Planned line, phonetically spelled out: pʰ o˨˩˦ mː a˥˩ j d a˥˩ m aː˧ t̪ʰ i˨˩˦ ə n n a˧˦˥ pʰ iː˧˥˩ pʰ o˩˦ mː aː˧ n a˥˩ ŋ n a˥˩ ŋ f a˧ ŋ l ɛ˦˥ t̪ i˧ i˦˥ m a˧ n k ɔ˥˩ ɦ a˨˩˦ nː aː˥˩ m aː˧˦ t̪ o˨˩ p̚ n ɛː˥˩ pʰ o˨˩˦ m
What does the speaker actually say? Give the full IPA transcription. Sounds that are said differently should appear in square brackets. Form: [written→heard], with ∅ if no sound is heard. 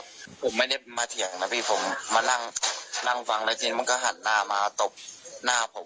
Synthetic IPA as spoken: pʰ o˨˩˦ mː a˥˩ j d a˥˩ m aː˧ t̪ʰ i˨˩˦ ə [n→ŋ] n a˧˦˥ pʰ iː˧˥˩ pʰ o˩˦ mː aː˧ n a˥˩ ŋ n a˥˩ ŋ f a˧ ŋ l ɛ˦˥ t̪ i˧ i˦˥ m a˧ n k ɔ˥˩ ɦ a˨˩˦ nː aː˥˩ m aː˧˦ t̪ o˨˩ p̚ n [ɛː˥˩→aː˥˩] pʰ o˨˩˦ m